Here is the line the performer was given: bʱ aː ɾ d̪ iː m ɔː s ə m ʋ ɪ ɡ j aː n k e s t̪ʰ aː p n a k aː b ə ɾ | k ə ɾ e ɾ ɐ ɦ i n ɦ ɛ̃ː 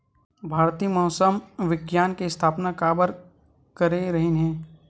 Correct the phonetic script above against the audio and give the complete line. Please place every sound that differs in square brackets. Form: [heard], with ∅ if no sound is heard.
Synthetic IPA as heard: bʱ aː ɾ [t̪] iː m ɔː s ə m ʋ ɪ ɡ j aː n k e s t̪ʰ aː p n a k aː b ə ɾ | k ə ɾ e ɾ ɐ ɦ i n ɦ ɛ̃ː